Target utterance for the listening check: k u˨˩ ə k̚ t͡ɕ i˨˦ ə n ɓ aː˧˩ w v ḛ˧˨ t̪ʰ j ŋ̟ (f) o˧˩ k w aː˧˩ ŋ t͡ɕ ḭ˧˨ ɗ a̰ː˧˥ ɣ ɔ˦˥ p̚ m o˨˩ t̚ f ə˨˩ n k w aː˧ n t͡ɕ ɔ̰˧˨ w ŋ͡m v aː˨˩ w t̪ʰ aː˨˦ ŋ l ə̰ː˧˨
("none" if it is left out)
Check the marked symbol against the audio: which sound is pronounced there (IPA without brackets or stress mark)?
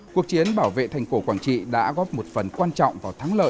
f